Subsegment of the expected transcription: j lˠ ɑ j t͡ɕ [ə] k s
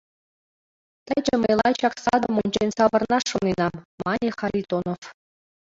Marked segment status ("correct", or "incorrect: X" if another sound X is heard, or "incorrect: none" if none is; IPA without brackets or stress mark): incorrect: ɑ